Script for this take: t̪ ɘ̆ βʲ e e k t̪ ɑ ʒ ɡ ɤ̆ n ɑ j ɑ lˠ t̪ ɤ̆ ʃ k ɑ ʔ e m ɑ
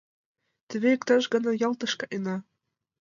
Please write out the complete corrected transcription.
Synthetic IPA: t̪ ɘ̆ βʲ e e k t̪ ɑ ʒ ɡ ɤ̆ n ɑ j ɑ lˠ t̪ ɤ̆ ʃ k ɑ ʔ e n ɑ